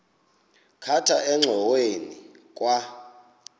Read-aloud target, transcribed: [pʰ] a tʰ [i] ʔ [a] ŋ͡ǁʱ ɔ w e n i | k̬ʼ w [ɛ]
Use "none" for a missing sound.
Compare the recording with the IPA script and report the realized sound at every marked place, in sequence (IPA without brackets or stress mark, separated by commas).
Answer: kʰ, a, ɛ, a